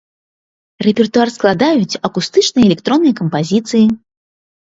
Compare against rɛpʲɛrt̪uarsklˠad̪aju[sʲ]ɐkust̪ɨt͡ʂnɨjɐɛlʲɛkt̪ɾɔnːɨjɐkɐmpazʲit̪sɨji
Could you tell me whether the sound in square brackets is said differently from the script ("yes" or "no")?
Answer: yes